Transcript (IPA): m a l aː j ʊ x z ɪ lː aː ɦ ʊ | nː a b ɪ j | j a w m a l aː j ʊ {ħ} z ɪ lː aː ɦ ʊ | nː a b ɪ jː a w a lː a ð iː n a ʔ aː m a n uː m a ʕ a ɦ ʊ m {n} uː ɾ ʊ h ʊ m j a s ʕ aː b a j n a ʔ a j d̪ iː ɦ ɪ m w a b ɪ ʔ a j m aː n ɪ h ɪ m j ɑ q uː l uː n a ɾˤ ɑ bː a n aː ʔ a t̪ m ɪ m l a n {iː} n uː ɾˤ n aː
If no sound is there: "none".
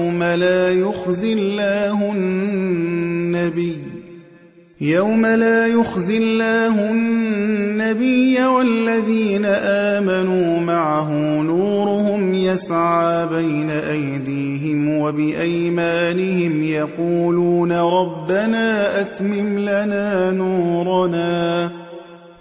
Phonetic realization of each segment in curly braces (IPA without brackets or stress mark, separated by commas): x, n, aː